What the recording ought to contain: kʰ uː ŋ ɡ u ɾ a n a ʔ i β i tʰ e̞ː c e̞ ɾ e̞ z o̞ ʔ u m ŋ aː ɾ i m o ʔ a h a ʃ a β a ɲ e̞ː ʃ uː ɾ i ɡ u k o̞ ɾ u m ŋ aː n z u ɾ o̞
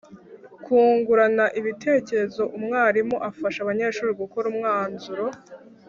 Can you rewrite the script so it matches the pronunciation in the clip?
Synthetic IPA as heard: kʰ uː ŋ ɡ u ɾ a n a ʔ i β i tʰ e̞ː c e̞ ɾ e̞ z o̞ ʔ u m ŋ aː ɾ i m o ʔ a f a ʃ a β a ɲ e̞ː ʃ uː ɾ i ɡ u k o̞ ɾ u m ŋ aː n z u ɾ o̞